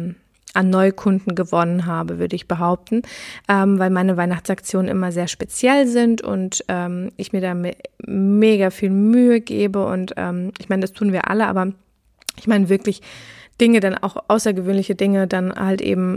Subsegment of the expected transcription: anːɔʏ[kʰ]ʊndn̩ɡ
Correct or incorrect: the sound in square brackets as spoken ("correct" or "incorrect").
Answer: correct